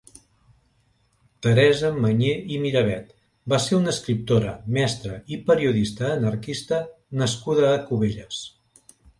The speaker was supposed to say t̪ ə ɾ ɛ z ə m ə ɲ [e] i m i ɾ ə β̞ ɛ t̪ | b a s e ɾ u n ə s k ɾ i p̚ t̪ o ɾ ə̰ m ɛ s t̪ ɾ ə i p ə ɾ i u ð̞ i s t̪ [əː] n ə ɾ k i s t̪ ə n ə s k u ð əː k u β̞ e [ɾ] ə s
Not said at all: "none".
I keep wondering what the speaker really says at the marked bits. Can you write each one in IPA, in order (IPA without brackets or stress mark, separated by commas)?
e, əː, ʎ